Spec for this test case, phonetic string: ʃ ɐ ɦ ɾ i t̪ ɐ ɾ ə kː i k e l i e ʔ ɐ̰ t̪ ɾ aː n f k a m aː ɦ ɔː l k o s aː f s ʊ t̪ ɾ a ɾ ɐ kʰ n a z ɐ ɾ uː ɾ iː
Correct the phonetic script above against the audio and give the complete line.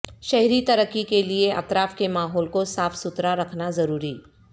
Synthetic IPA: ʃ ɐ ɦ ɾ i t̪ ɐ ɾ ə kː i k e l i e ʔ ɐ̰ t̪ ɾ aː f k e m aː ɦ ɔː l k o s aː f s ʊ t̪ ɾ a ɾ ɐ kʰ n a z ɐ ɾ uː ɾ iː

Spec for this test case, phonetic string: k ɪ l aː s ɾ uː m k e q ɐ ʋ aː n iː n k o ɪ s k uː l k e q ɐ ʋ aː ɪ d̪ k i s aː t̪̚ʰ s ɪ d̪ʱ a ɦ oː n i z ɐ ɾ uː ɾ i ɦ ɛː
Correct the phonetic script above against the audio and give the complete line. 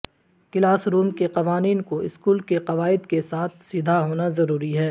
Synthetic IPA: k ɪ l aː s ɾ uː m k e q ɐ ʋ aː n iː n k o ɪ s k uː l k e q ɐ ʋ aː ɪ d̪ k e s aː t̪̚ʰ s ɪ d̪ʱ a ɦ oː n a z ɐ ɾ uː ɾ i ɦ ɛː

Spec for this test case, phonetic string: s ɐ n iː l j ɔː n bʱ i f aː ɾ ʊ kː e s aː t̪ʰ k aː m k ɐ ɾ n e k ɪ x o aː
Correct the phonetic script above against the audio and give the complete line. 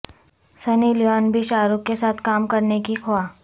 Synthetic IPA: s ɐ n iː l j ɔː n bʱ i ʃ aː ɾ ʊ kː e s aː t̪ʰ k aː m k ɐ ɾ n e k i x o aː

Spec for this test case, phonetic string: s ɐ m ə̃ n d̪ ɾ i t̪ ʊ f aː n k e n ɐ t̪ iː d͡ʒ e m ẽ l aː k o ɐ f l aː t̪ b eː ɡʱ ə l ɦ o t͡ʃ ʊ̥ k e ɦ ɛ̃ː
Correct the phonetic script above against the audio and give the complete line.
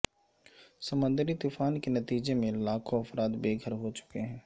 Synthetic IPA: s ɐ m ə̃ n d̪ ɾ i t̪ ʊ f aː n k e n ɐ t̪ iː d͡ʒ e m ẽ l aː kʰ o ɐ f ɾ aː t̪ b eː ɡʱ ə ɾ ɦ o t͡ʃ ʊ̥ k e ɦ ɛ̃ː

